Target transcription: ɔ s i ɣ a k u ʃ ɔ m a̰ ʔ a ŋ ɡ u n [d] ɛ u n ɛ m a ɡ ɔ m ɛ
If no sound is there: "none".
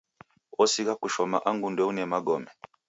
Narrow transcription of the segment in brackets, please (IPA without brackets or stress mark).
d